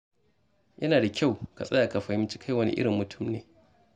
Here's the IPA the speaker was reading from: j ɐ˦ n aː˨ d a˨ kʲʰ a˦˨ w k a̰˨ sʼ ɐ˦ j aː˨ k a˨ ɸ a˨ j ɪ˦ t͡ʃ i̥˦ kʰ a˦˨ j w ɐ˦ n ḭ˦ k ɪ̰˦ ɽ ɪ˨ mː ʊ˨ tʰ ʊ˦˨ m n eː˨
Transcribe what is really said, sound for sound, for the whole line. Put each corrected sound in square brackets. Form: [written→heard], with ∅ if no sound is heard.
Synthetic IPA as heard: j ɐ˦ n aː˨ d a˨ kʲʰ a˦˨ w k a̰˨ sʼ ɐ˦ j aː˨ k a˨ ɸ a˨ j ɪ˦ t͡ʃ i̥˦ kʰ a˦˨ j w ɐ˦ n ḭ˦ [k→ʔ] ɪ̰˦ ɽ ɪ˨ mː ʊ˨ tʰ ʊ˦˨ m n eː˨